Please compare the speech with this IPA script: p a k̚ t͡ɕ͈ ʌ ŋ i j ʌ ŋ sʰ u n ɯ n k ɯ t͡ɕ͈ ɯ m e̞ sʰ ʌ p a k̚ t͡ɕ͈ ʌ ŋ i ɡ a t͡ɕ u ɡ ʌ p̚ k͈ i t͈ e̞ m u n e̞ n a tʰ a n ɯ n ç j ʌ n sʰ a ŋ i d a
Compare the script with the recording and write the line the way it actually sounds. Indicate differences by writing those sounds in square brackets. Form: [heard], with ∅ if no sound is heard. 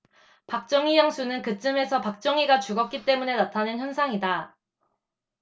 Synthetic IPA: p a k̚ t͡ɕ͈ ʌ ŋ i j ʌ ŋ sʰ u n ɯ n k ɯ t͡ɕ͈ ɯ m e̞ sʰ ʌ p a k̚ t͡ɕ͈ ʌ ŋ i ɡ a t͡ɕ u ɡ ʌ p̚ k͈ i t͈ e̞ m u n e̞ n a tʰ a n ɯ n ç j ʌ n sʰ a ŋ i d a